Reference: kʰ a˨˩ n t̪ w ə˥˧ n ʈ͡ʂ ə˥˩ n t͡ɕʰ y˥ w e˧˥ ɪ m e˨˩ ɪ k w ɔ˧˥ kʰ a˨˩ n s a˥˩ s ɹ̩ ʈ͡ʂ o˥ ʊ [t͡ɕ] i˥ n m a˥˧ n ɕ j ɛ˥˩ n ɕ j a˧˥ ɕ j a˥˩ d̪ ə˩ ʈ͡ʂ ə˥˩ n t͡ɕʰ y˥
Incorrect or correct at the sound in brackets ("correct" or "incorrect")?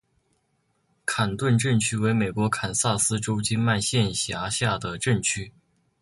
correct